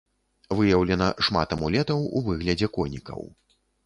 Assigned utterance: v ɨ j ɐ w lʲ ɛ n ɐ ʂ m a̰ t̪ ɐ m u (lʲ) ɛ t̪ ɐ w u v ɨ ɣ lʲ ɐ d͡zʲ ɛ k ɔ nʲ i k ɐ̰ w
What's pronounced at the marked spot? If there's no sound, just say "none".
lʲ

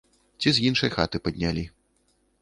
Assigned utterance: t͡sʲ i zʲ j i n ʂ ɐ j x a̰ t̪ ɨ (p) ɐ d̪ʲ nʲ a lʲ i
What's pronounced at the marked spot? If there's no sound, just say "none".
p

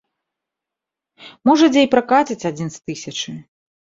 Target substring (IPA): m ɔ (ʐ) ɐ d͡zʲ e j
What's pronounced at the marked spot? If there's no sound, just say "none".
ʐ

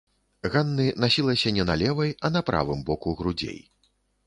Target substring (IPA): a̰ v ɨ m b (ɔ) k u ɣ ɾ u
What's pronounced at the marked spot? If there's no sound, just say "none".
ɔ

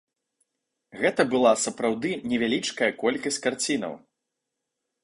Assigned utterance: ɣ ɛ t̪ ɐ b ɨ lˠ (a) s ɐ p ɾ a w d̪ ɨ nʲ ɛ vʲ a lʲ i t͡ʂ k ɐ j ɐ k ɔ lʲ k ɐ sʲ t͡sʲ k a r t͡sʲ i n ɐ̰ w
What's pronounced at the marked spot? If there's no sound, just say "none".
a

